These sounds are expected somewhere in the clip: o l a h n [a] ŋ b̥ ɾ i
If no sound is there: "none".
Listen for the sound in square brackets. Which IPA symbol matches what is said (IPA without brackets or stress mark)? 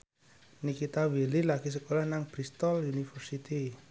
a